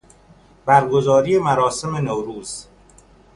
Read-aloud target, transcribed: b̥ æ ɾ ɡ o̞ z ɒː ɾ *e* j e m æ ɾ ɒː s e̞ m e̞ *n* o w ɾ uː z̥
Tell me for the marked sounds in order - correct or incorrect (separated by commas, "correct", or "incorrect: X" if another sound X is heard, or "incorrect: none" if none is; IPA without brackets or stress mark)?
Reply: incorrect: i, correct